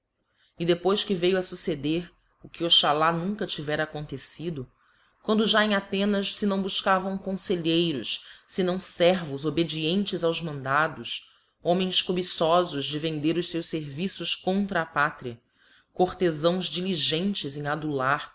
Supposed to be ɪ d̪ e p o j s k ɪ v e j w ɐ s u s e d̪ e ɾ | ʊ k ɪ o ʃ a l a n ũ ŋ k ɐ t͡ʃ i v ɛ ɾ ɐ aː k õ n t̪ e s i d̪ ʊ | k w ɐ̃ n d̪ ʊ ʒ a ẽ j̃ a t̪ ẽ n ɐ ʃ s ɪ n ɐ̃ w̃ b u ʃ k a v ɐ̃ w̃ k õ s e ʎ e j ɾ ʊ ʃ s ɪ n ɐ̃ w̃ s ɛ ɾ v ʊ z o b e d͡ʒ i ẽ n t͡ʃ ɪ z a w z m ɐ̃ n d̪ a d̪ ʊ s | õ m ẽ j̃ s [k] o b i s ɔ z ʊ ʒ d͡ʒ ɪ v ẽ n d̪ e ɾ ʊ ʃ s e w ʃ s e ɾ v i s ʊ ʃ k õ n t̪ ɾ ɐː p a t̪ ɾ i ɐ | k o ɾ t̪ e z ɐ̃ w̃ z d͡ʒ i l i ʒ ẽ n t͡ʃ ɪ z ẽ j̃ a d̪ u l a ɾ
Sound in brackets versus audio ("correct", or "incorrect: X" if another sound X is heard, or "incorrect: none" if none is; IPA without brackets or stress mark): correct